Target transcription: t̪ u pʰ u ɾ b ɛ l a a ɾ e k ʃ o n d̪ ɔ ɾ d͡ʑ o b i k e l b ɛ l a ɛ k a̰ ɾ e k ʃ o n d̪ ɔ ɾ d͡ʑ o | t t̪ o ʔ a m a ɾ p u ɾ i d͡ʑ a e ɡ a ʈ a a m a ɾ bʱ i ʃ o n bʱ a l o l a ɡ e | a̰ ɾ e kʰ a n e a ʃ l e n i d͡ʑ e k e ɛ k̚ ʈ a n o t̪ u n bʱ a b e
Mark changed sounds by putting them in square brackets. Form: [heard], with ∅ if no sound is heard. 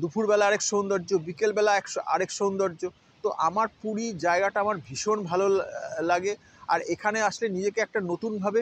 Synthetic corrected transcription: [d̪] u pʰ u ɾ b ɛ l a a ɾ e k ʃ o n d̪ ɔ ɾ d͡ʑ o b i k e l b ɛ l a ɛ k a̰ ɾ e k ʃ o n d̪ ɔ ɾ d͡ʑ o | t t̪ o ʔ a m a ɾ p u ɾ i d͡ʑ a e ɡ a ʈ a a m a ɾ bʱ i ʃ o n bʱ a l o l a ɡ e | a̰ ɾ e kʰ a n e a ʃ l e n i d͡ʑ e k e ɛ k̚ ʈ a n o t̪ u n bʱ a b e